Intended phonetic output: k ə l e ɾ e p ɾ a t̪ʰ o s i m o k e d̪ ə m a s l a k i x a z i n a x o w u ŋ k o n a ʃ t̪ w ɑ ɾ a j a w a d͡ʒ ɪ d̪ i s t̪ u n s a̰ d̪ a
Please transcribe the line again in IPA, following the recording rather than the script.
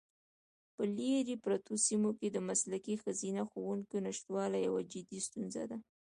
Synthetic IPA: p ə l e ɾ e p ɾ a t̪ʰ o s i m o k e d̪ ə m a s l a k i x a z i n a x o w u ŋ k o n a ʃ t̪ w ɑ l a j a w a d͡ʒ ɪ d̪ i s t̪ u n z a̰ d̪ a